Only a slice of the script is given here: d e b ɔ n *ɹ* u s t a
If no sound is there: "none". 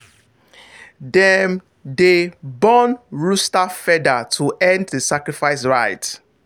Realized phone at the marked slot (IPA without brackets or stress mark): ɹ